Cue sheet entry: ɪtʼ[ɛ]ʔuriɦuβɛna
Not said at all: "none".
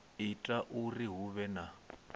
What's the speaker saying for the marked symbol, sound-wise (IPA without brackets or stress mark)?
a